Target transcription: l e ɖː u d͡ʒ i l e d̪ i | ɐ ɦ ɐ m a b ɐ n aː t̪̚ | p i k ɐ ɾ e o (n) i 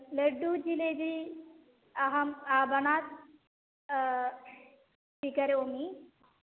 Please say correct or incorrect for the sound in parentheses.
incorrect